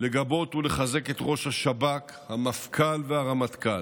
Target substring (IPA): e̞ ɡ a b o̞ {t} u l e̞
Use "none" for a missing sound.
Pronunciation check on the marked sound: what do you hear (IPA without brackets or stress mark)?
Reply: t